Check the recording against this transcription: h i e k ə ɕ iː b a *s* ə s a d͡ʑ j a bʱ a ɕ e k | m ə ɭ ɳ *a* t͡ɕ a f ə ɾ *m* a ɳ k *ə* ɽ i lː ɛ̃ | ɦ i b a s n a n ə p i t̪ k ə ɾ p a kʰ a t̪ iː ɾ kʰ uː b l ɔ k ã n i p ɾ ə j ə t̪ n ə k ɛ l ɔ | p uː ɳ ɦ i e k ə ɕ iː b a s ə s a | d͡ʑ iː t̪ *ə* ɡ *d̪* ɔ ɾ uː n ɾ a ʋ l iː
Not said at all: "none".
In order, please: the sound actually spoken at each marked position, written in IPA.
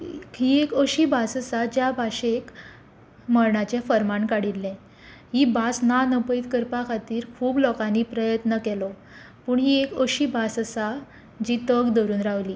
s, a, m, a, ə, d̪

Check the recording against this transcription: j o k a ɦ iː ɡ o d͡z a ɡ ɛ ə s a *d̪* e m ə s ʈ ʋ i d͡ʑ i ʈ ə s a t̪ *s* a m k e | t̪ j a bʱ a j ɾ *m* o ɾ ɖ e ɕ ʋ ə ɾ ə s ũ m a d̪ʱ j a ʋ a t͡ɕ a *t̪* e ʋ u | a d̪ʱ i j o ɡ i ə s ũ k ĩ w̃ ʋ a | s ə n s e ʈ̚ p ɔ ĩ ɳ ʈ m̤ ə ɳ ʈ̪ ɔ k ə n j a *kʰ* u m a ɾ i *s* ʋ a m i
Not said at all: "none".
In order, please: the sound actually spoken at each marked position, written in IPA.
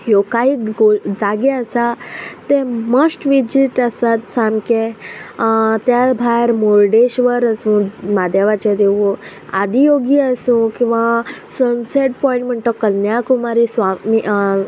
t̪, s, m, d̪, k, s

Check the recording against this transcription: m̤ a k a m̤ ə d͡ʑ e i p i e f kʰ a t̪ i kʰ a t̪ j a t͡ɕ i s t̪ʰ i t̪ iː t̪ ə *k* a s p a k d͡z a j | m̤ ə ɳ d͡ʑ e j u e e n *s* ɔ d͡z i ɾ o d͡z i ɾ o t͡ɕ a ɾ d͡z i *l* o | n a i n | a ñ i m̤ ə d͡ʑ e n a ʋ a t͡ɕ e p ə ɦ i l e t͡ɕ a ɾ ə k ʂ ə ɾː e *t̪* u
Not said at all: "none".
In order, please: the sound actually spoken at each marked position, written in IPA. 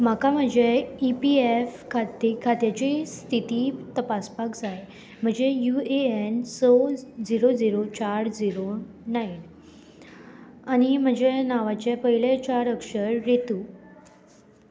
p, s, ɾ, t̪

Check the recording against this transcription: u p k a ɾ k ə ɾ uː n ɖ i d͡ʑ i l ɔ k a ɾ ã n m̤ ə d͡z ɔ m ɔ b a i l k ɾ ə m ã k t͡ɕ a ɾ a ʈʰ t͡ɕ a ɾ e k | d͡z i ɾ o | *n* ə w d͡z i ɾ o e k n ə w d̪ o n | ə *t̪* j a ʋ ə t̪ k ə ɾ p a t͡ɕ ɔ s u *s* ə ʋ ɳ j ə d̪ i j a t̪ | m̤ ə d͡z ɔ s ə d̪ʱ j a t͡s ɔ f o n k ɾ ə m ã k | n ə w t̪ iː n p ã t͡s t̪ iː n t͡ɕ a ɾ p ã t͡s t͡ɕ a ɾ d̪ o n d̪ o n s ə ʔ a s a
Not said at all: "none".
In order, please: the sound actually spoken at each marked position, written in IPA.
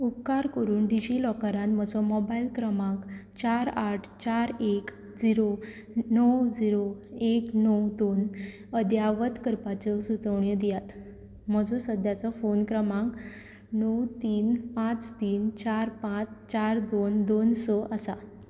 n, d̪, t͡s

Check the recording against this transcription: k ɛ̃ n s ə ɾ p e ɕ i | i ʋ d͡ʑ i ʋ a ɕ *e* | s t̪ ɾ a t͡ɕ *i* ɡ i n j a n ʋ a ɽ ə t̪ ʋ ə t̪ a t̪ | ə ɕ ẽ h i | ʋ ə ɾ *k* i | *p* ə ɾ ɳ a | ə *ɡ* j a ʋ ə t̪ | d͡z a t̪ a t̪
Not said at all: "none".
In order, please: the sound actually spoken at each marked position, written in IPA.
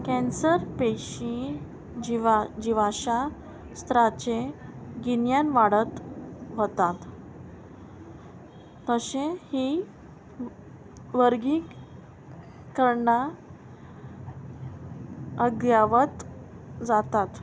a, e, ɡ, k, ɡ

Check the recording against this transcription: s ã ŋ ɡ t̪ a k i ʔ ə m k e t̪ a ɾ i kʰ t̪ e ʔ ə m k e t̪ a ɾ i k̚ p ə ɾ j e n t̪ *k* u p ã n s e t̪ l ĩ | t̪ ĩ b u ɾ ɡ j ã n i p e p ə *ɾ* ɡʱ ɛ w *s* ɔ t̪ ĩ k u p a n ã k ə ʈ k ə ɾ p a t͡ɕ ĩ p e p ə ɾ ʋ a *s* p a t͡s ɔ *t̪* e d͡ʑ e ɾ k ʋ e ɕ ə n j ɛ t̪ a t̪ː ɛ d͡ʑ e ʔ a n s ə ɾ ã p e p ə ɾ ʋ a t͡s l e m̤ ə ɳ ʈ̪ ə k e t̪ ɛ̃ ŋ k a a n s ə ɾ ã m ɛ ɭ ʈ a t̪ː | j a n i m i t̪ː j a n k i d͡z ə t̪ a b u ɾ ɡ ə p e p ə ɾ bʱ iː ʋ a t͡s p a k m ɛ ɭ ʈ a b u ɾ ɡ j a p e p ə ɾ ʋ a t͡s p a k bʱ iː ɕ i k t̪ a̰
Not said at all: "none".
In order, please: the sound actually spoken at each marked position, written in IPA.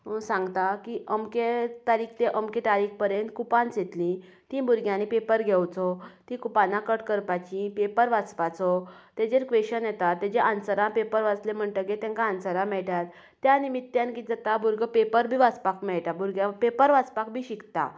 k, ɾ, t͡s, t͡s, t̪

